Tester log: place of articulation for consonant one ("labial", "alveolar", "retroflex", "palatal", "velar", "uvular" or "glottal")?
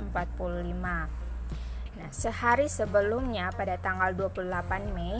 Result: labial